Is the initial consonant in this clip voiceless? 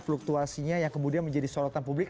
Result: yes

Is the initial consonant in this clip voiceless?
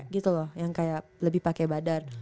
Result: no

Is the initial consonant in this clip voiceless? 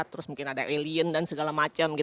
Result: yes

